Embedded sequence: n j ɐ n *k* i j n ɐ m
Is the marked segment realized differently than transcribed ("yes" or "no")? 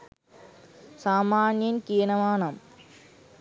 no